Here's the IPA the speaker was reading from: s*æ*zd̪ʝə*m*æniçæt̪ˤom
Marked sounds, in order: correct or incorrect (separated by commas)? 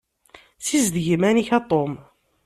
incorrect, correct